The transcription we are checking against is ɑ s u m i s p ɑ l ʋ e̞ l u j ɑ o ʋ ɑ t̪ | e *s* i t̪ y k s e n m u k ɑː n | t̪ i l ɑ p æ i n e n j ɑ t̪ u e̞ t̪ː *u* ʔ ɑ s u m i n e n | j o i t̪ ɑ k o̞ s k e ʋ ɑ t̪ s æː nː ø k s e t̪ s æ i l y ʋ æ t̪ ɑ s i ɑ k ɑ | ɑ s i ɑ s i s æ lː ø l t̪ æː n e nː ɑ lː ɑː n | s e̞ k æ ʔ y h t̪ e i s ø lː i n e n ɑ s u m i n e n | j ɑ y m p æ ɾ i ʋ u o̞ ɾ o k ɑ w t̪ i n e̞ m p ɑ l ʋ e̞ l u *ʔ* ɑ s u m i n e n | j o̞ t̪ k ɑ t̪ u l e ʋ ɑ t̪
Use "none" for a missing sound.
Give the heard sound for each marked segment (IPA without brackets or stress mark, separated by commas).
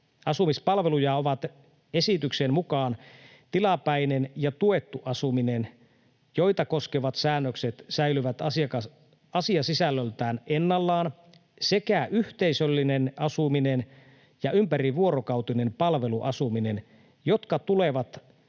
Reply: s, u, ʔ